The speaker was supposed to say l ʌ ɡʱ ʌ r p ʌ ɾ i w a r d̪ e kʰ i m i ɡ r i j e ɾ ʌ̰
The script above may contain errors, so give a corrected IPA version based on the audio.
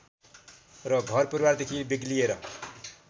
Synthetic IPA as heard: r ʌ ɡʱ ʌ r p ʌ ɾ i w a r d̪ e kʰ i b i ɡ l i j e ɾ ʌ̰